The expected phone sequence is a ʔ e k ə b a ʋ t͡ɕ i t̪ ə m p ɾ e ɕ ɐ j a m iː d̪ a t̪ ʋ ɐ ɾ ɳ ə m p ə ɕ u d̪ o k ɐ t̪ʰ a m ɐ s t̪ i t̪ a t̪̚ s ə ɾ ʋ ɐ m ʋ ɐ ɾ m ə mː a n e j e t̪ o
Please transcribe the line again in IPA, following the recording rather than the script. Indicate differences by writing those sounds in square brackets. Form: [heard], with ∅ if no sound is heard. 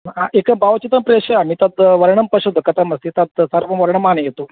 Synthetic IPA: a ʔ e k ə b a ʋ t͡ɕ i t̪ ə m p ɾ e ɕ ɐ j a m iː [t̪] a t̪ ʋ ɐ ɾ ɳ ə m p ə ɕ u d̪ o k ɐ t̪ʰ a m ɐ s t̪ i t̪ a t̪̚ s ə ɾ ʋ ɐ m ʋ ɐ ɾ [ɳ] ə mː a n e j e t̪ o